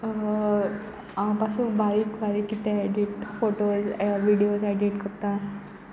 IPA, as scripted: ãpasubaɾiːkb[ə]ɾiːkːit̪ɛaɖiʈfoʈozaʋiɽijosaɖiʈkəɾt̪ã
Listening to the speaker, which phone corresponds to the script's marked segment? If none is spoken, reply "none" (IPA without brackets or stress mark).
a